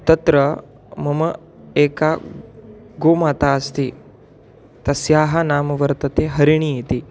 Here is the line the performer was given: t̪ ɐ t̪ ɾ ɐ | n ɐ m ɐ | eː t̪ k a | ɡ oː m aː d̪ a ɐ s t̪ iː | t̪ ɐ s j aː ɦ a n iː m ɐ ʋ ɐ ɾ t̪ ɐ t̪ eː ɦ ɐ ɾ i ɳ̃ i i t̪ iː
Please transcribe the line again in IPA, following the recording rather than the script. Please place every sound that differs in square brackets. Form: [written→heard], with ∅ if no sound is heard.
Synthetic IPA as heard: t̪ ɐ t̪ ɾ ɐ | [n→m] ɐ m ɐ | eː [t̪→∅] k a | ɡ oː m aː [d̪→t̪] a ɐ s t̪ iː | t̪ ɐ s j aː ɦ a n [iː→aː] m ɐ ʋ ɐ ɾ t̪ ɐ t̪ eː ɦ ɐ ɾ i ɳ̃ i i t̪ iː